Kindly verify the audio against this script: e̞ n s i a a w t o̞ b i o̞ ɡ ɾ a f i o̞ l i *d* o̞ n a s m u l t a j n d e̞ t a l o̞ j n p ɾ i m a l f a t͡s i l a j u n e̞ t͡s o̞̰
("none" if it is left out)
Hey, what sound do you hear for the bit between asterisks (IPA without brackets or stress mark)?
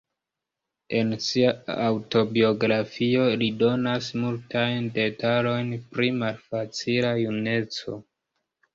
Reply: d